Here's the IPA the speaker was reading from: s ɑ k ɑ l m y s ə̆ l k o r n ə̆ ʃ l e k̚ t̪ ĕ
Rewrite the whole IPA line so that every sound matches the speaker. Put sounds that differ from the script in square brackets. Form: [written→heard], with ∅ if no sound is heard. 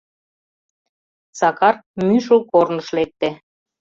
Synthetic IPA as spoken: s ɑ k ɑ [l→r] m y [s→ʃ] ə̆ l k o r n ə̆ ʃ l e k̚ t̪ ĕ